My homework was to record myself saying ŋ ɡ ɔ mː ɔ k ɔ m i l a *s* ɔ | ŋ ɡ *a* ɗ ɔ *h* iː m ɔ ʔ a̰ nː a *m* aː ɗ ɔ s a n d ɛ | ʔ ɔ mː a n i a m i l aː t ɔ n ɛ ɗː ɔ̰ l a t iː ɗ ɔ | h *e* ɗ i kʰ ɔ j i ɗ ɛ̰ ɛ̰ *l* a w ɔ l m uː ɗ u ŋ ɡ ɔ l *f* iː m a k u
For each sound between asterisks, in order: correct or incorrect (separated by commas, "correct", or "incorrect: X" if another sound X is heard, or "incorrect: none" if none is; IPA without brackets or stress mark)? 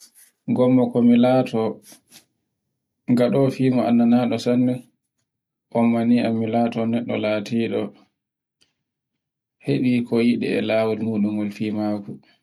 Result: incorrect: t, correct, incorrect: f, incorrect: n, correct, correct, correct